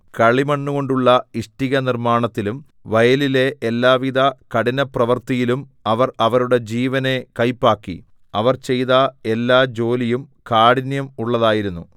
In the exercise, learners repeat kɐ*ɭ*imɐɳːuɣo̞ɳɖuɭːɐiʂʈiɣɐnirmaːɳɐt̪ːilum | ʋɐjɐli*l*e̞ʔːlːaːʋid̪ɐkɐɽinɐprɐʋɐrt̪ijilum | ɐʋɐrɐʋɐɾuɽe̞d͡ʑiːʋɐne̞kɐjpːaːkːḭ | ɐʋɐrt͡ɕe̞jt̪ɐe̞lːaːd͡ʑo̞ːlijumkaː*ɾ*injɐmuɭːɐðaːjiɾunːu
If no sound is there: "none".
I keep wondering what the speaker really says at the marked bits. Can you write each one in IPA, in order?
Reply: ɭ, l, ɽ

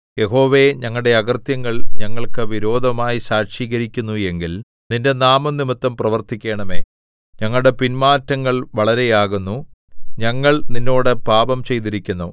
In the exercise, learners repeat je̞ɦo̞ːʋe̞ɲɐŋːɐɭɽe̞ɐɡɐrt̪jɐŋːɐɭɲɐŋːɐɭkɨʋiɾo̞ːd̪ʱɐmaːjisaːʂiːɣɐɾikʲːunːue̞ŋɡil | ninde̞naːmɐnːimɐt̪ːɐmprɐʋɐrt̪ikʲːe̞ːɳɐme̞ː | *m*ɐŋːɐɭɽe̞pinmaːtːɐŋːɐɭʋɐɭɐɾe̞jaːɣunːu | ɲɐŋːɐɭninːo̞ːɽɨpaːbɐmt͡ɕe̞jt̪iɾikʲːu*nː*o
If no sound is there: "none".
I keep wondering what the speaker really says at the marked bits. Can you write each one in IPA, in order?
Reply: ɲ, nː

